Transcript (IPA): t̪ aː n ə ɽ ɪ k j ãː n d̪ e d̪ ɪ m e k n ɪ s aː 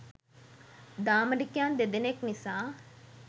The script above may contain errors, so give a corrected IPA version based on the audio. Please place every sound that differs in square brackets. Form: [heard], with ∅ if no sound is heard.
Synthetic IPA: [d̪] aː [m] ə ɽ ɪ k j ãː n d̪ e d̪ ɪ [n] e k n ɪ s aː